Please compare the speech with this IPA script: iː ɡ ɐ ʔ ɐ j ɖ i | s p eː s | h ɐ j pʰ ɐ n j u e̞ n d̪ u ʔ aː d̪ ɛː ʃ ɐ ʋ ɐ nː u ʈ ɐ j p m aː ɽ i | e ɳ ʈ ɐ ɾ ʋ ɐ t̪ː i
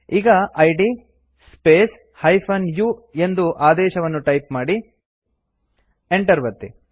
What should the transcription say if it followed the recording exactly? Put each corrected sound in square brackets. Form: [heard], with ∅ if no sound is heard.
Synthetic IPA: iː ɡ ɐ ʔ ɐ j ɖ i | s p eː s | h ɐ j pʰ ɐ n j u e̞ n d̪ u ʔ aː d̪ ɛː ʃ ɐ ʋ ɐ nː u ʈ ɐ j p m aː ɽ i | e ɳ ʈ ɐ ɾ ʋ ɐ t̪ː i